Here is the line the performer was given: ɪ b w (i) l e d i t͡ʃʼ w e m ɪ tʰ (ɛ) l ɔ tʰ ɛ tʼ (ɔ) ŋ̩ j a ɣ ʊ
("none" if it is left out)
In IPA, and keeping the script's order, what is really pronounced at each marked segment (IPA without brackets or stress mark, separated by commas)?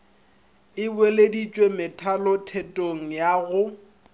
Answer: e, a, o